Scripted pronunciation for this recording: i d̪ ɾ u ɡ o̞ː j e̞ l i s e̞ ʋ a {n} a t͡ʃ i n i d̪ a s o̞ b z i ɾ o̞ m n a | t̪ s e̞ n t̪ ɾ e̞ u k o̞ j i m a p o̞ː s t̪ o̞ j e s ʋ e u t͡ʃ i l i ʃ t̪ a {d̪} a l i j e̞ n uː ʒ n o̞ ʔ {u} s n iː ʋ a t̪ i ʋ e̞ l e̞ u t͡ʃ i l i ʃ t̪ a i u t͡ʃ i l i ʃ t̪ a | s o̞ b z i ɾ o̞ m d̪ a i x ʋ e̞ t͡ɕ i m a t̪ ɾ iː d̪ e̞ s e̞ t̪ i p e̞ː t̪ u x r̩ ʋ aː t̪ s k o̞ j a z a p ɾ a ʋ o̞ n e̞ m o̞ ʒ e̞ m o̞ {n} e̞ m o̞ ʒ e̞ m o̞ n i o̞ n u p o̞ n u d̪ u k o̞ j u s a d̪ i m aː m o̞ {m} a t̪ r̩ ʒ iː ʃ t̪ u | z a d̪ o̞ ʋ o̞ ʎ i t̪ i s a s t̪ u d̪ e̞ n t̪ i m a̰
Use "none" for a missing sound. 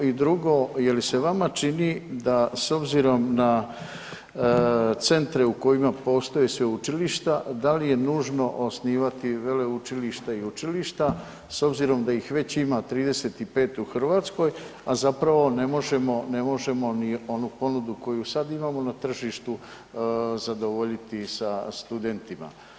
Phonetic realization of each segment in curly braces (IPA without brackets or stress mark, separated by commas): m, d̪, o, n, n